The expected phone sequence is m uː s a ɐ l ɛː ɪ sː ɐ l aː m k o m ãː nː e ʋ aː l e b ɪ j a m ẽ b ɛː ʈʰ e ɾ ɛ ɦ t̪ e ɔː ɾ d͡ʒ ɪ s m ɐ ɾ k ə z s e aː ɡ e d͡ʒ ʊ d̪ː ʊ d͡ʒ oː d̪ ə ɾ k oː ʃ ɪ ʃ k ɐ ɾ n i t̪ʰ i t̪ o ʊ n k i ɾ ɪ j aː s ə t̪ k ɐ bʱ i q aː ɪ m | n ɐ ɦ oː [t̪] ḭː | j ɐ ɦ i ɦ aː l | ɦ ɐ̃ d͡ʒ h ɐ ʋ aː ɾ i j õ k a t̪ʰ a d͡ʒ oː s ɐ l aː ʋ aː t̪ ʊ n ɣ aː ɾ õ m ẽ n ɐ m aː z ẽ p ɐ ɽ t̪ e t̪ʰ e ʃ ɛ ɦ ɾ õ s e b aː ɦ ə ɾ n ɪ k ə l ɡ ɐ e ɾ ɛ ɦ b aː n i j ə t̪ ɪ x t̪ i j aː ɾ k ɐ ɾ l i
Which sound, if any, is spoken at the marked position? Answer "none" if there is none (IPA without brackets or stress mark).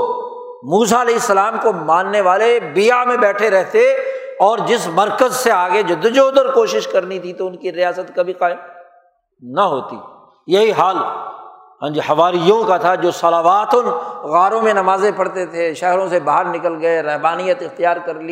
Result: t̪